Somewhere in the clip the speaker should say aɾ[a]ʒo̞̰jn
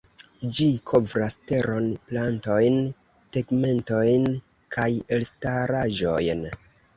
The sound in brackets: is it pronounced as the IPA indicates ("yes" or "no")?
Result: yes